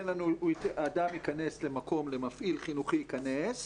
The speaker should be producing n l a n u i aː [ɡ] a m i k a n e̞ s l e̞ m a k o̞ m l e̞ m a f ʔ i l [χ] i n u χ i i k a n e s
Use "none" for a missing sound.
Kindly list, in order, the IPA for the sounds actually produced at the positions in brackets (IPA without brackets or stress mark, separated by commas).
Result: d, χ